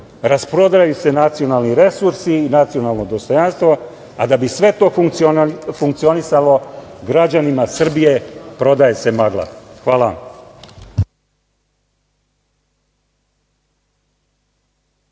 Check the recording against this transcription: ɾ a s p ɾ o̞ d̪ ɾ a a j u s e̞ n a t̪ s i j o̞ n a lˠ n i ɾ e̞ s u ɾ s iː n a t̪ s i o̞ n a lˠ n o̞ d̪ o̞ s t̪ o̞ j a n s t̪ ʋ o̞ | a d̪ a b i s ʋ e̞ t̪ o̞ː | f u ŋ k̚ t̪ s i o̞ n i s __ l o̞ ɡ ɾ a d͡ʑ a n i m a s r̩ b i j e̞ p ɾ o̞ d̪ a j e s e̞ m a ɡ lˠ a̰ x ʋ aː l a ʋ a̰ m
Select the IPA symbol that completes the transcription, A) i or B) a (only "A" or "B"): B